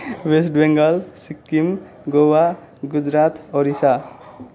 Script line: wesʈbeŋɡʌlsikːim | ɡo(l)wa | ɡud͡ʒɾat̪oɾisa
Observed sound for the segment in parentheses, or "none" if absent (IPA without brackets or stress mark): none